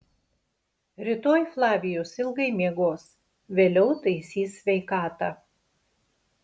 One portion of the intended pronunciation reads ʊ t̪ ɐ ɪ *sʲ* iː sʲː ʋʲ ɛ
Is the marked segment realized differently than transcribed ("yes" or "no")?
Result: no